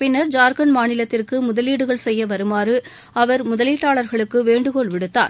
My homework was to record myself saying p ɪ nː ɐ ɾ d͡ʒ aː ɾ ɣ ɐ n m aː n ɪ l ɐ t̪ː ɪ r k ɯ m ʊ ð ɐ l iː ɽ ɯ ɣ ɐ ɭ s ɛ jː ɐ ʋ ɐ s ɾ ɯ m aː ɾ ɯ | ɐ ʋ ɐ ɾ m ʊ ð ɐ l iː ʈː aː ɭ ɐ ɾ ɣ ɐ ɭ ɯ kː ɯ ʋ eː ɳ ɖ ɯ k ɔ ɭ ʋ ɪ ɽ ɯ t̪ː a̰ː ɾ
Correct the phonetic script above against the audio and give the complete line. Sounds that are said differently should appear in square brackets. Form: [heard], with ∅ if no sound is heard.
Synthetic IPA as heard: p ɪ nː ɐ ɾ d͡ʒ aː ɾ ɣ ɐ n m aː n ɪ l ɐ t̪ː ɪ r k ɯ m ʊ ð ɐ l iː ɽ ɯ ɣ ɐ ɭ s ɛ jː ɐ ʋ ɐ [∅] ɾ ɯ m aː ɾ ɯ | ɐ ʋ ɐ ɾ m ʊ ð ɐ l iː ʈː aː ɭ ɐ ɾ ɣ ɐ ɭ ɯ kː ɯ ʋ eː ɳ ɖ ɯ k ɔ ɭ ʋ ɪ ɽ ɯ t̪ː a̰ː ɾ